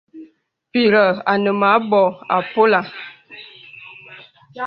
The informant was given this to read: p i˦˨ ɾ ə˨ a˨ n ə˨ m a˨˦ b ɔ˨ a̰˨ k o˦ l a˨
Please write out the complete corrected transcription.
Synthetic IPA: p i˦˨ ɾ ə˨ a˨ n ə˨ m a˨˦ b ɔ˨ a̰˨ p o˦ l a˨